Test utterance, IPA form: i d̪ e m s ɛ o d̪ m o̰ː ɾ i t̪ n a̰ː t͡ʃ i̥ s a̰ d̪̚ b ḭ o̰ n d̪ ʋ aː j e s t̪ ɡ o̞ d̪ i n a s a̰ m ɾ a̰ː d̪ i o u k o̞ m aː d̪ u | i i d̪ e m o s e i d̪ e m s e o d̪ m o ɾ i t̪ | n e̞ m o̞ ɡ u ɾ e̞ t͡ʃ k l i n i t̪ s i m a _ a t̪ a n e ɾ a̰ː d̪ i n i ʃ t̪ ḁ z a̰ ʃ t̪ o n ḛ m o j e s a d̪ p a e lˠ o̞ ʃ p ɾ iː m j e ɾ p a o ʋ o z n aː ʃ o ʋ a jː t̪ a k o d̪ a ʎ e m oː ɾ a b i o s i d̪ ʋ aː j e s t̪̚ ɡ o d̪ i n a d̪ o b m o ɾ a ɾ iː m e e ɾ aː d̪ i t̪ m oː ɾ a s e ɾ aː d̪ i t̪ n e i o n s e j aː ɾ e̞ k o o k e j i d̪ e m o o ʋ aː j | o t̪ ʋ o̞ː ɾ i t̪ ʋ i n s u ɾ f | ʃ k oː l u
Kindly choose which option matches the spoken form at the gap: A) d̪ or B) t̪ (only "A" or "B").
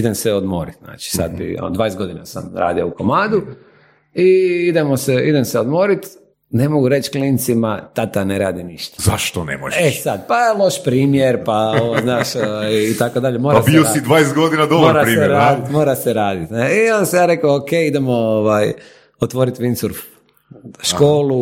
B